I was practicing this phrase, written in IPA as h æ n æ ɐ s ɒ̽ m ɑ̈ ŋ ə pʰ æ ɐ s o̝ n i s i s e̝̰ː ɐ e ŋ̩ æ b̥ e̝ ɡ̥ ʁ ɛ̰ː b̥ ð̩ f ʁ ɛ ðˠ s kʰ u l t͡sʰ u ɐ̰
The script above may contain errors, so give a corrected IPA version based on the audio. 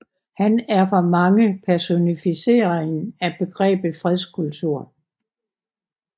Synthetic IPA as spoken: h æ n æ ɐ f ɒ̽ m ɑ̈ ŋ ə pʰ æ ɐ s o̝ n i f i s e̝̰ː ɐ e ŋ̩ æ b̥ e̝ ɡ̥ ʁ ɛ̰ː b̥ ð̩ f ʁ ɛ ðˠ s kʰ u l t͡sʰ u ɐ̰